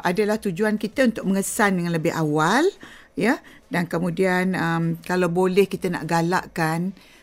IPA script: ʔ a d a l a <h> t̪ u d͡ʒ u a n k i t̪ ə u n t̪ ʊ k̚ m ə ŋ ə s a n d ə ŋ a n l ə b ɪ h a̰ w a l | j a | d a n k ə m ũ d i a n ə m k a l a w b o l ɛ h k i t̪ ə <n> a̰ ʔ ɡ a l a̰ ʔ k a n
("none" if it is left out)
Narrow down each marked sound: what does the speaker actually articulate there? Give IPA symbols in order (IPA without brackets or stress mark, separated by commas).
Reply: h, n